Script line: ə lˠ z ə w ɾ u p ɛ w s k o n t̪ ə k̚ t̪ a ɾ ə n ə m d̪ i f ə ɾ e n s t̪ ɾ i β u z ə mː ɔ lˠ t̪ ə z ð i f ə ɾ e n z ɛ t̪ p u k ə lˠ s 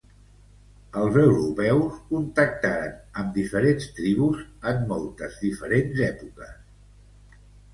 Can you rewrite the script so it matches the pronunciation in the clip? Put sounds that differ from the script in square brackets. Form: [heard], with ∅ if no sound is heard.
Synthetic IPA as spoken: ə lˠ z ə w ɾ u p ɛ w s k [u] n t̪ ə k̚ t̪ a ɾ ə n ə m d̪ i f ə ɾ e n s t̪ ɾ i β u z ə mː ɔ lˠ t̪ ə z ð i f ə ɾ e n z ɛ [∅] p u k ə [∅] s